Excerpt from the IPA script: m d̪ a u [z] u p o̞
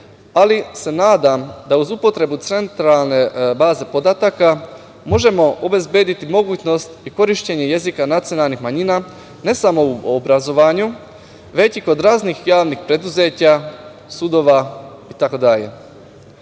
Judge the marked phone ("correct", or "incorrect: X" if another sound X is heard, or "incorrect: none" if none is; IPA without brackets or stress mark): correct